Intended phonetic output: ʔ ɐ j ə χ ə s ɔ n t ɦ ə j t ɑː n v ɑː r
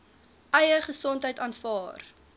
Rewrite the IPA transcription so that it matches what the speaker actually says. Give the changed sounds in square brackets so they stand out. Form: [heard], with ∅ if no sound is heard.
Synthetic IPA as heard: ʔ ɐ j ə χ ə s ɔ n t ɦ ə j t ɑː n [f] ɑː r